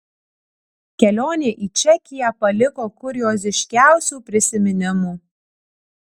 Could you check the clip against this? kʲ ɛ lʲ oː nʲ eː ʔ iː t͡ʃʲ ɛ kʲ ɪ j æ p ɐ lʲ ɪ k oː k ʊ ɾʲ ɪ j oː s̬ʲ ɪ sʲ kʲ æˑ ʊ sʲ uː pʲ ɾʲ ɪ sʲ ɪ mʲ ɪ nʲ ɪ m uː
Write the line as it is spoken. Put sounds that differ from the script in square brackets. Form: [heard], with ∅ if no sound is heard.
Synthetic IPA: kʲ ɛ lʲ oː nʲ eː ʔ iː t͡ʃʲ ɛ kʲ ɪ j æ p ɐ lʲ ɪ k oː k ʊ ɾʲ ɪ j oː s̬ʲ ɪ [ʃʲ] kʲ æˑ ʊ sʲ uː pʲ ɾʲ ɪ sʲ ɪ mʲ ɪ nʲ ɪ m uː